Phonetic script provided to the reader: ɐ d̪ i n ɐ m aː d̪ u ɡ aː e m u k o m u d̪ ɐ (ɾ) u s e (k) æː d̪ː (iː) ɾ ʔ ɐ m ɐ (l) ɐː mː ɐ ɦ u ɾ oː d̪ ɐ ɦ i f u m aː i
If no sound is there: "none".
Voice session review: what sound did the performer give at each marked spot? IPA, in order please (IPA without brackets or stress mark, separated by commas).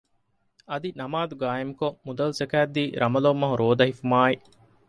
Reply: l, k, iː, l